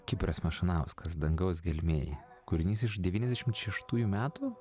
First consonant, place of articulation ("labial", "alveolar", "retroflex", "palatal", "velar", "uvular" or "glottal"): velar